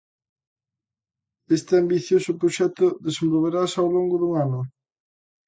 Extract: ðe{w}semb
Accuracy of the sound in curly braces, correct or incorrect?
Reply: incorrect